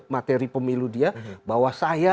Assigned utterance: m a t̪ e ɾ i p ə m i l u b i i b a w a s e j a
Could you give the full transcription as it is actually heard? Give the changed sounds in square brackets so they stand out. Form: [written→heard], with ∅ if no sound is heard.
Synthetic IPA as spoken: m a t̪ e ɾ i p ə m i l u [b→d] i [i→a] b a w a s [e→a] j a